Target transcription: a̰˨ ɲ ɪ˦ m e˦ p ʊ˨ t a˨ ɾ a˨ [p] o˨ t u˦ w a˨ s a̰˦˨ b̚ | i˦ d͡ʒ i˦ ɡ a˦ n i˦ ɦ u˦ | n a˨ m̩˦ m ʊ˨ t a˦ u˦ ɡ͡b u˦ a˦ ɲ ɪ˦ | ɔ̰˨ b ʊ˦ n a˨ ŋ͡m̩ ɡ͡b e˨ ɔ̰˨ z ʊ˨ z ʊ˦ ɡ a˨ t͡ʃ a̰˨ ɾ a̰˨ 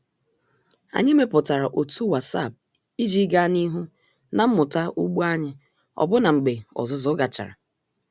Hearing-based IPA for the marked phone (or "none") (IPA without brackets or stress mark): ʔ